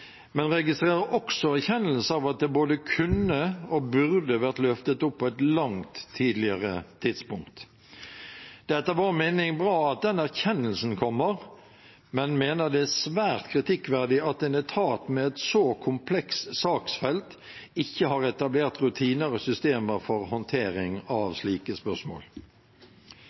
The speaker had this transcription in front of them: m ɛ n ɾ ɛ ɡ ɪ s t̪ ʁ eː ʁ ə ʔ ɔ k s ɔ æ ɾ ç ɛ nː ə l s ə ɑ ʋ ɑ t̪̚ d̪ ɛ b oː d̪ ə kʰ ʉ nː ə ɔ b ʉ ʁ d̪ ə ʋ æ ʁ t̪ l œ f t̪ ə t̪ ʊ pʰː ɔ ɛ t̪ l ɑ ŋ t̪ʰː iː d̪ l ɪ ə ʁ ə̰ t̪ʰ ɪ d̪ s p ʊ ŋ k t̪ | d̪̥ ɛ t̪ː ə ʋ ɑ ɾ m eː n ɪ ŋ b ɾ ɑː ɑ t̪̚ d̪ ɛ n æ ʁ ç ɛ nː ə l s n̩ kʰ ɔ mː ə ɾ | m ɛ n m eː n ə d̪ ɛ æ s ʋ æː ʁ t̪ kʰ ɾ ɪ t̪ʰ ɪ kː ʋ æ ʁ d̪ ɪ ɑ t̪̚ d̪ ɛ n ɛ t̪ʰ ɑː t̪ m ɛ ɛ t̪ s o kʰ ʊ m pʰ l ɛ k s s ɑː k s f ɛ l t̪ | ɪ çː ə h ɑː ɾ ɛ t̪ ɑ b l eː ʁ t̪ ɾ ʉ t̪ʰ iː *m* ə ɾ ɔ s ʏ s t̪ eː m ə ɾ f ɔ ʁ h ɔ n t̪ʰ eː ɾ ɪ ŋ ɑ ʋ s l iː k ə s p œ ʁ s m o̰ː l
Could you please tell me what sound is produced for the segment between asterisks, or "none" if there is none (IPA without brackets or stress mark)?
n